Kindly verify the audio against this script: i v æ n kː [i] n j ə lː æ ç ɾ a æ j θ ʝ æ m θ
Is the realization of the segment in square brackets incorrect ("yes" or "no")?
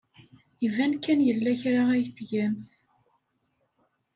yes